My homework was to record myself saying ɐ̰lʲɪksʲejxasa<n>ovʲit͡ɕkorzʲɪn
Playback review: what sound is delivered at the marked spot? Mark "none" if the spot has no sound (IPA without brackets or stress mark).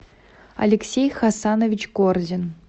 n